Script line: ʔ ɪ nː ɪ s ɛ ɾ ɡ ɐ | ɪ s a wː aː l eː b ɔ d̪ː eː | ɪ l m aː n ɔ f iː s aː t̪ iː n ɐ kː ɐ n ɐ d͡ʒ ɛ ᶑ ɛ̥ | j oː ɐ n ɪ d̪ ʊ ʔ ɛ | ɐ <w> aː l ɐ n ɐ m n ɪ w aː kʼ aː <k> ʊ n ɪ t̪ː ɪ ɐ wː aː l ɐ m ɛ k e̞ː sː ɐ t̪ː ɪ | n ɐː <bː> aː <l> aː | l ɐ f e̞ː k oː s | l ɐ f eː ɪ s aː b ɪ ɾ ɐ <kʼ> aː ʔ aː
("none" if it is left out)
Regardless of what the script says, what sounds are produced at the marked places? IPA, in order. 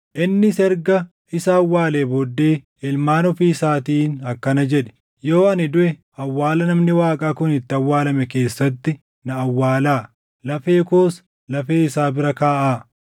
wː, k, wː, l, k

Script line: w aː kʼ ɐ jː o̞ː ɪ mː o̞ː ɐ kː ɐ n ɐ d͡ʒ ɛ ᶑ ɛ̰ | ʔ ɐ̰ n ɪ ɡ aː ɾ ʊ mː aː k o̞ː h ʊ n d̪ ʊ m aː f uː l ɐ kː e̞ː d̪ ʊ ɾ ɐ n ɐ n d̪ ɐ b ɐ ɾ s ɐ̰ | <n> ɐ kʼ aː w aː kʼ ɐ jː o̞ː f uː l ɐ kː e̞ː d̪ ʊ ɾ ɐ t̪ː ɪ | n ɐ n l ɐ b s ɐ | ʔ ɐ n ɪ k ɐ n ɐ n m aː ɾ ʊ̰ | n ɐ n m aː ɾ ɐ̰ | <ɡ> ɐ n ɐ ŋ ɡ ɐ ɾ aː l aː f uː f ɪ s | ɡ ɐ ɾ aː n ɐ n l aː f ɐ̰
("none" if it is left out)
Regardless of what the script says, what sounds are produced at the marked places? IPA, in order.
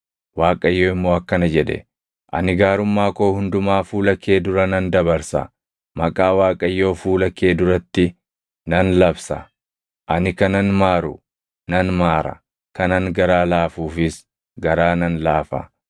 m, k

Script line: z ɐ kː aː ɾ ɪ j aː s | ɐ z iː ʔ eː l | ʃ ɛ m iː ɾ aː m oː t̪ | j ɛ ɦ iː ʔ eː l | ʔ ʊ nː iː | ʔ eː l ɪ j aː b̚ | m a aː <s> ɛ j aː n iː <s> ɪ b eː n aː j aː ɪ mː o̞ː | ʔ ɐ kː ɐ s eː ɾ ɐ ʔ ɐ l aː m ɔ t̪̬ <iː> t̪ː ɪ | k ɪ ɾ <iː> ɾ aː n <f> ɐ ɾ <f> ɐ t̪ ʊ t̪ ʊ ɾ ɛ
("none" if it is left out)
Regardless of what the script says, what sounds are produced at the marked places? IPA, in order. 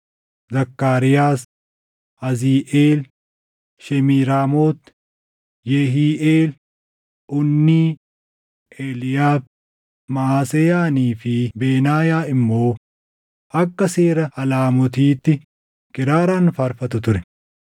s, f, iː, aː, f, f

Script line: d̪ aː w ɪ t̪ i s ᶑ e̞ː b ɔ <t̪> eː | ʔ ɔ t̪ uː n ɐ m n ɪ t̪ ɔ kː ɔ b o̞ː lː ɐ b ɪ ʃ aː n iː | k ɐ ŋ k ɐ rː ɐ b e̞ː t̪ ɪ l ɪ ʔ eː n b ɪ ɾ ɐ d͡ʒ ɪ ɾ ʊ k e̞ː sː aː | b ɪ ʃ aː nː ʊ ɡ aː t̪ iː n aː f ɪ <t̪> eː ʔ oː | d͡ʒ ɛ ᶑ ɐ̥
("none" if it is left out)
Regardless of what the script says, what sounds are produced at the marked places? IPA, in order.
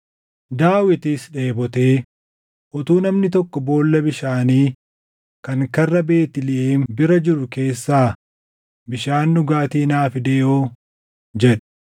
t̪, d̪

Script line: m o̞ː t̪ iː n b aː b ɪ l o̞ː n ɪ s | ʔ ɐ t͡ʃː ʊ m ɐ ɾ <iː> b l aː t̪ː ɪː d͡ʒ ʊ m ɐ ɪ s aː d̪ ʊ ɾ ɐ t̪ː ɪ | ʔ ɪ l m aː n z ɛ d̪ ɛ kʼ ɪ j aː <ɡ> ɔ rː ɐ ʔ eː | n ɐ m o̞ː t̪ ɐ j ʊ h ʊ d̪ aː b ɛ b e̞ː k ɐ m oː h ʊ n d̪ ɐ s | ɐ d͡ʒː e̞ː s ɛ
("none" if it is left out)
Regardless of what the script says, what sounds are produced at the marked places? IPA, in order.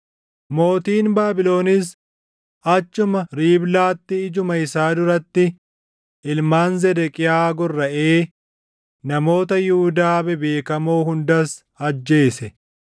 iː, ɡ

